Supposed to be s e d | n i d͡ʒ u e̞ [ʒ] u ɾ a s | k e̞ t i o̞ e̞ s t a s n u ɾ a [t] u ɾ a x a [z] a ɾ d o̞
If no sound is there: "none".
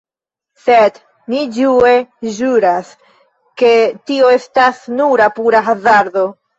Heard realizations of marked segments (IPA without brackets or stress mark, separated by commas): ʒ, p, z